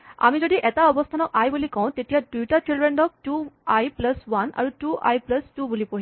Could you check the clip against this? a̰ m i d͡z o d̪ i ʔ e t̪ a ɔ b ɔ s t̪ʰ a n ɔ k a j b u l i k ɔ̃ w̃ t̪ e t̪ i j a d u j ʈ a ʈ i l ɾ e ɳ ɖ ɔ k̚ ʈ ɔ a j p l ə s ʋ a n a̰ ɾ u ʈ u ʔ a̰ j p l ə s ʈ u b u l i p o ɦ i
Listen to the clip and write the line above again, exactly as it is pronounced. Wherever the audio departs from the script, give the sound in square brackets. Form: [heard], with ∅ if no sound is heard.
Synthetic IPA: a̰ m i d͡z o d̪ i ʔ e t̪ a ɔ b ɔ s t̪ʰ a n ɔ k a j b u l i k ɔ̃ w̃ t̪ e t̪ i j a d u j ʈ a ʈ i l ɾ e ɳ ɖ ɔ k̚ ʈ [u] a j p l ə s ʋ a n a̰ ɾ u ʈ u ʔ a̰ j p l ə s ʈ u b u l i p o ɦ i